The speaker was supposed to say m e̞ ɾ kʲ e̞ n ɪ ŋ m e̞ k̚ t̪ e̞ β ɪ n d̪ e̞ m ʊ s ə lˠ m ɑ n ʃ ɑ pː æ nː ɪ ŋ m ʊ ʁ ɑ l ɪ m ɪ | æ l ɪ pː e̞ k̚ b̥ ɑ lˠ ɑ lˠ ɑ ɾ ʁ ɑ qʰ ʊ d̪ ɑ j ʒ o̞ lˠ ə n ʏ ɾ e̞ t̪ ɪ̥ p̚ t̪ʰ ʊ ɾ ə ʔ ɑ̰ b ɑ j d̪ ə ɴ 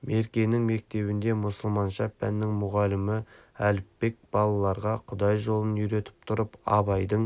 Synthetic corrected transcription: m e̞ ɾ kʲ e̞ n ɪ ŋ m e̞ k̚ t̪ e̞ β ɪ n d̪ e̞ m ʊ s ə lˠ m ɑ n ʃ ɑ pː æ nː ɪ ŋ m ʊ ʁ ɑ l ɪ m ɪ | æ l ɪ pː e̞ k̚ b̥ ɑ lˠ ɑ lˠ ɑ ɾ ʁ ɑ qʰ ʊ d̪ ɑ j ʒ o̞ lˠ ə n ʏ ɾ e̞ t̪ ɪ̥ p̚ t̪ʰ ʊ ɾ ə p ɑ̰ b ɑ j d̪ ə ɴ